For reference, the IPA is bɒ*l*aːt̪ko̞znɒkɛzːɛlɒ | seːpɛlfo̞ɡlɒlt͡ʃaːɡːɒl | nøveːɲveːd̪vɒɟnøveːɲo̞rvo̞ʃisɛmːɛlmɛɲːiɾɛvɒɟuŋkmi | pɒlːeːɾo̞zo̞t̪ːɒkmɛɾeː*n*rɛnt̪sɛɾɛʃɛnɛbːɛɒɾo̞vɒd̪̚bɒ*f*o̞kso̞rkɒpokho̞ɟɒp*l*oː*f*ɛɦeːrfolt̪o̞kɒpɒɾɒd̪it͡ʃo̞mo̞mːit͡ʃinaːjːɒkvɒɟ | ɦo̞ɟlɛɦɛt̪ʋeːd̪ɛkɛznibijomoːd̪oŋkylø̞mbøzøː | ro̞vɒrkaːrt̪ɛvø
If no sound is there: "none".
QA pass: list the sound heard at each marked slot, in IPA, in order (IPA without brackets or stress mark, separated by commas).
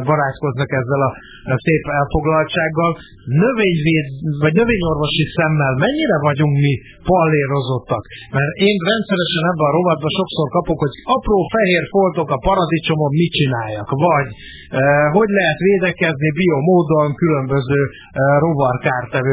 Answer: ɾ, n, ʃ, r, f